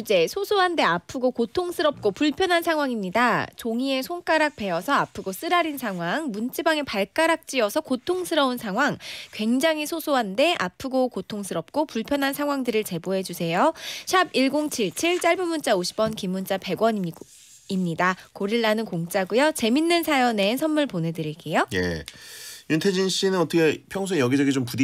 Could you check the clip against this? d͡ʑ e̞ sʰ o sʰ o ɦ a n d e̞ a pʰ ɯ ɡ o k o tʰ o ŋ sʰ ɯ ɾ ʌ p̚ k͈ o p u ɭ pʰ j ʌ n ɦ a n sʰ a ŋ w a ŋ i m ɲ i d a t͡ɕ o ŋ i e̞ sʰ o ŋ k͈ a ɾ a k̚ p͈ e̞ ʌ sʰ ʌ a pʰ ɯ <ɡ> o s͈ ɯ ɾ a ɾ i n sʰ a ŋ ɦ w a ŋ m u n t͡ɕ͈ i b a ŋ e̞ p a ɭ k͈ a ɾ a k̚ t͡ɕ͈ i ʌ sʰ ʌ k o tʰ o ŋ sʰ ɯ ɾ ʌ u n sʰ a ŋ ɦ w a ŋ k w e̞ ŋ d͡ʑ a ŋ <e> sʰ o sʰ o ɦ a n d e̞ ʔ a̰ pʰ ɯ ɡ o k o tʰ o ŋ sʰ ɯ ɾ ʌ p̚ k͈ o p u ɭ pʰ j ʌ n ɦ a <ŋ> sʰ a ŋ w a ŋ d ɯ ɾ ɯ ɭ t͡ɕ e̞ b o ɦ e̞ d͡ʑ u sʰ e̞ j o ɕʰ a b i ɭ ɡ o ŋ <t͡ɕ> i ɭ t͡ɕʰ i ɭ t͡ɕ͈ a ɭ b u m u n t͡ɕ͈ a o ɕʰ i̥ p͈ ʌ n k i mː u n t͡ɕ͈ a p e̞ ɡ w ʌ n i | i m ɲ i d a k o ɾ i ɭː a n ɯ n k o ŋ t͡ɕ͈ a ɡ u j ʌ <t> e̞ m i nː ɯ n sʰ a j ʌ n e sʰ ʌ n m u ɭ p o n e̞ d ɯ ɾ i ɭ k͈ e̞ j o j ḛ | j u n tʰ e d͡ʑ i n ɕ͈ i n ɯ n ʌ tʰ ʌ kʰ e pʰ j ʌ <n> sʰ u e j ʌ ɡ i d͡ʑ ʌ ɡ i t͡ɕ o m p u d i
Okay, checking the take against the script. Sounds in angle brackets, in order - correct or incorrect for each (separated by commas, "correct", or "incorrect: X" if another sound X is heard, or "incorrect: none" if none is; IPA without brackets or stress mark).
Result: correct, incorrect: i, incorrect: n, incorrect: t͡ɕʰ, incorrect: t͡ɕ, incorrect: ŋ